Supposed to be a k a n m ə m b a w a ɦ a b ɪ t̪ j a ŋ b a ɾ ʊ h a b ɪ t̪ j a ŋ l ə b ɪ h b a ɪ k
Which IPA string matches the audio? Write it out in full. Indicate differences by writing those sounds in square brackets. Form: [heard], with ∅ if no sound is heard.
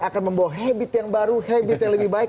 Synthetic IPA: a k a n m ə m b a w a ɦ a b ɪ t̪ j a ŋ b a ɾ [u] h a b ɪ t̪ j a ŋ l ə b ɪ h b a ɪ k

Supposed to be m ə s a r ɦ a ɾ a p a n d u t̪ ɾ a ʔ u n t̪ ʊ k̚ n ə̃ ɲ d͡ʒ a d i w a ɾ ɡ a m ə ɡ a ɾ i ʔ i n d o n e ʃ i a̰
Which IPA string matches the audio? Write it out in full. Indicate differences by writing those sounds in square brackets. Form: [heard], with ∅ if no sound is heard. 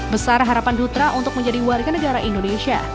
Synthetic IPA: [b] ə s a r ɦ a ɾ a p a n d u t̪ ɾ a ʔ u n t̪ ʊ k̚ [m] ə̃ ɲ d͡ʒ a d i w a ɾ ɡ a [n] ə ɡ a ɾ [a] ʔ i n d o n e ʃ i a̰

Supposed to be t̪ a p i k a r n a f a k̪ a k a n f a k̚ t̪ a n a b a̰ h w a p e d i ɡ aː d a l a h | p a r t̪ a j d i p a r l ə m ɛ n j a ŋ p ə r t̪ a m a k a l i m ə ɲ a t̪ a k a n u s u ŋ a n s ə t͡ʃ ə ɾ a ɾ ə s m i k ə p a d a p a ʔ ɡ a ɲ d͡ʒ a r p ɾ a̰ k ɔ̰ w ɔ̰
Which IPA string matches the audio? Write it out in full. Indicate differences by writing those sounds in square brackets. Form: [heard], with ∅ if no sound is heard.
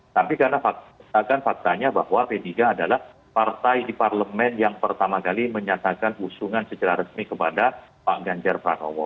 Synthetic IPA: t̪ a p i k a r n a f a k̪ a k a n f a k̚ t̪ a [ɲ] a b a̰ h w a p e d i ɡ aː d a l a h | p a r t̪ a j d i p a r l ə m ɛ n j a ŋ p ə r t̪ a m a k a l i m ə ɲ a t̪ a k a n u s u ŋ a n s ə t͡ʃ ə ɾ a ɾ ə s m i k ə p a d a p a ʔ ɡ a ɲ d͡ʒ a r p ɾ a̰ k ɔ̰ w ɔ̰

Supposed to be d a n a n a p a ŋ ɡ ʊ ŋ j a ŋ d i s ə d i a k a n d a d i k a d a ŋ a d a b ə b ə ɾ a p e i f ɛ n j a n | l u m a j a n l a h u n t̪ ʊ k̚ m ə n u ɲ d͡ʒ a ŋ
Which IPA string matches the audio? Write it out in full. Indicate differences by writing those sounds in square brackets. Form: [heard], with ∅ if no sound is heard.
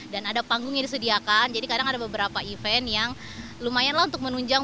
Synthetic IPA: d a n a [d] a p a ŋ ɡ ʊ ŋ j a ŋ d i s ə d i a k a n [d͡ʒ] a d i k a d a ŋ a d a b ə b ə ɾ a p [a] i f ɛ n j a [ŋ] | l u m a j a n l a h u n t̪ ʊ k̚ m ə n u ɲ d͡ʒ a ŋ

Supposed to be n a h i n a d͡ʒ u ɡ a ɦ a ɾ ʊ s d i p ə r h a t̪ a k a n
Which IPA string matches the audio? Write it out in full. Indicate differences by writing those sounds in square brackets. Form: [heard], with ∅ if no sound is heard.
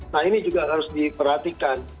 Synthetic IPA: n a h i n [i] d͡ʒ u ɡ a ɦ a ɾ ʊ s d i p ə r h a t̪ [i] k a n

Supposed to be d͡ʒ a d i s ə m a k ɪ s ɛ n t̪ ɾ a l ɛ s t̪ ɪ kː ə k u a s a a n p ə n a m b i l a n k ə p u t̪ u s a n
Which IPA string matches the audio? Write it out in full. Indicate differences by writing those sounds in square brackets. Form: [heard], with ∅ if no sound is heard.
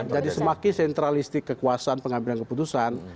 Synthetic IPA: d͡ʒ a d i s ə m a k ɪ s ɛ n t̪ ɾ a l [i] s t̪ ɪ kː ə k u a s a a n p ə [ŋ] a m b i l a n k ə p u t̪ u s a n

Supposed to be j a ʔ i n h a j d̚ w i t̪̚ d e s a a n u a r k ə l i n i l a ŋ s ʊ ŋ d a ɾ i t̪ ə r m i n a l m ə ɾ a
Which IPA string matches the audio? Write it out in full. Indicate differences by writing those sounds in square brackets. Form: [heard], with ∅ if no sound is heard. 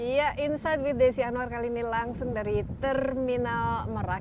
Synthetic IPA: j a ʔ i n [s] a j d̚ w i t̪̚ d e s [i] a n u a r k [a] l i n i l a ŋ s ʊ ŋ d a ɾ i t̪ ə r m i n a l m ə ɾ a

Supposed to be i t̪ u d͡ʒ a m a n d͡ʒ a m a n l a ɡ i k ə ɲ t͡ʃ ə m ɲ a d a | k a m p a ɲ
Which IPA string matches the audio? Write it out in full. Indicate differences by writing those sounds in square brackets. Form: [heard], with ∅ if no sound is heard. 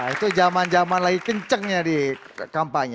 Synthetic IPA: i t̪ u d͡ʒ a m a n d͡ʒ a m a n l a ɡ i k ə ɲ t͡ʃ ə [ŋ] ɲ a d [i] | k a m p a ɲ

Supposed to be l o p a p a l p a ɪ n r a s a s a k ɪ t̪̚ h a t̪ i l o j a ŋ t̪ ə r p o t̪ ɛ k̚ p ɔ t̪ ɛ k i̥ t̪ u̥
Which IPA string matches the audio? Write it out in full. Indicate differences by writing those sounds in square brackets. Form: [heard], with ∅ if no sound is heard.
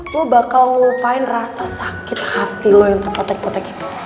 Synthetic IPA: l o [b] a [k] a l p a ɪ n r a s a s a k ɪ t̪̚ h a t̪ i l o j a ŋ t̪ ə r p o t̪ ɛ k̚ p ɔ t̪ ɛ k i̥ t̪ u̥

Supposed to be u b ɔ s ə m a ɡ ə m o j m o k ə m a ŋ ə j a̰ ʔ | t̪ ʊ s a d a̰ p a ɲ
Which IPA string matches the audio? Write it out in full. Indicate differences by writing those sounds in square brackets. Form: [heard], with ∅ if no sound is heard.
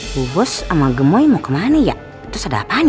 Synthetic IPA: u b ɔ s [a] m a ɡ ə m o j m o k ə m a [n] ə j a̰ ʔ | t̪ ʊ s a d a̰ p a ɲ

